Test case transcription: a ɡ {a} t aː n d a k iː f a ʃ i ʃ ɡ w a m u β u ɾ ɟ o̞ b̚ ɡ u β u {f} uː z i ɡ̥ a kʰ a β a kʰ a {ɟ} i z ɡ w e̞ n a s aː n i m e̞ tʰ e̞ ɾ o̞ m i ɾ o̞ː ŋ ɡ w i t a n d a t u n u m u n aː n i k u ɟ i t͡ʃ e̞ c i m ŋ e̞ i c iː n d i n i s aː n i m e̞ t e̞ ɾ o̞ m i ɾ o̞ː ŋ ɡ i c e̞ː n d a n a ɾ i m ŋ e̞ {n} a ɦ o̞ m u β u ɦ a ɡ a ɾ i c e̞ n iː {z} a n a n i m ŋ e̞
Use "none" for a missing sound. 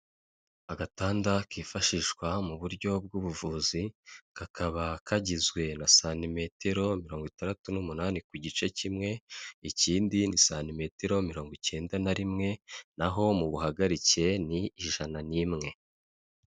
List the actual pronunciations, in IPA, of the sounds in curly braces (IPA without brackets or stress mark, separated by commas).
a, v, ɟ, n, ʒ